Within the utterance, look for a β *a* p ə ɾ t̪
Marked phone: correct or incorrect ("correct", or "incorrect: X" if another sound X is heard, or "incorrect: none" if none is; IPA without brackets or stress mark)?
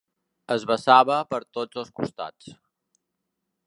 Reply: incorrect: ə